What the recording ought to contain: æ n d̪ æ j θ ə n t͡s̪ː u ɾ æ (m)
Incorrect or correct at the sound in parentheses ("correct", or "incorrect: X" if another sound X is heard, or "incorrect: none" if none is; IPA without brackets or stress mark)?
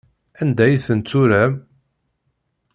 correct